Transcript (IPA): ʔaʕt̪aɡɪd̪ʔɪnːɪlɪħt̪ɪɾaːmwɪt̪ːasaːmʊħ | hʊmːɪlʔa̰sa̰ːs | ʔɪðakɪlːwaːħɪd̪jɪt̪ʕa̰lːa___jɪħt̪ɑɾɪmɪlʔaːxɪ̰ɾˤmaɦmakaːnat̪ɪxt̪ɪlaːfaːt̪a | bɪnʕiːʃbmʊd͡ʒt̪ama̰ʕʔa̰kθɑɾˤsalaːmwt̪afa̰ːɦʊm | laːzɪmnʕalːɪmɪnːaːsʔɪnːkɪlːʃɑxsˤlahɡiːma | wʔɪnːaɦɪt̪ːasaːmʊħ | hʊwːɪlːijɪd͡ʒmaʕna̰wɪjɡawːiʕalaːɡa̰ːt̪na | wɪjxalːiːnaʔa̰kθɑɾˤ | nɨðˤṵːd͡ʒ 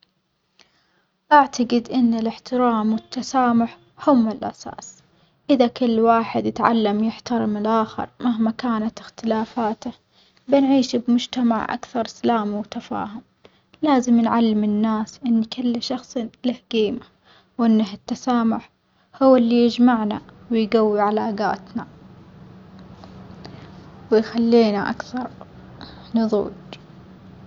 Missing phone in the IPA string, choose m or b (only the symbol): m